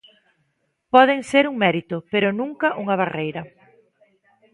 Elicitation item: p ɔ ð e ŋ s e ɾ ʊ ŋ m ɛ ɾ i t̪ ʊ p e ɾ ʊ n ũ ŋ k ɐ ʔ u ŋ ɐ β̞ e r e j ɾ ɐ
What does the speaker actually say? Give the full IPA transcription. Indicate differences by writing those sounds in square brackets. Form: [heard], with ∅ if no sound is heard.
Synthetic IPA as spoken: p ɔ ð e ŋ s e ɾ [u] ŋ m ɛ ɾ i t̪ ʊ p e ɾ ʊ n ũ ŋ k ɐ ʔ u ŋ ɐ β̞ [a] r e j ɾ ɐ